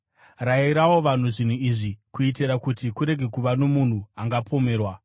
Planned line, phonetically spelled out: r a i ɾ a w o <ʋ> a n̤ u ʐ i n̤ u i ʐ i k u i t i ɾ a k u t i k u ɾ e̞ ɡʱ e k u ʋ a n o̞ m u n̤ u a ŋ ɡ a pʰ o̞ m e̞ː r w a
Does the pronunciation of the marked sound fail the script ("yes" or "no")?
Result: no